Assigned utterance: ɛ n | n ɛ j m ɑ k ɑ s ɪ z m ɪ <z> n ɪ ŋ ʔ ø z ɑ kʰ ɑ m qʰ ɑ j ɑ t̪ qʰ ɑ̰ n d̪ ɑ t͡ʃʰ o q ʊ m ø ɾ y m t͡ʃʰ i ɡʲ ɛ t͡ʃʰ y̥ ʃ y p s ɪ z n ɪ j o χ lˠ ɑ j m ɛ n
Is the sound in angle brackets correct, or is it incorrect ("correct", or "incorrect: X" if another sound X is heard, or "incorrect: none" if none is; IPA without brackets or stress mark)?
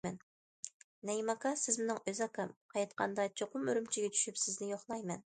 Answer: incorrect: none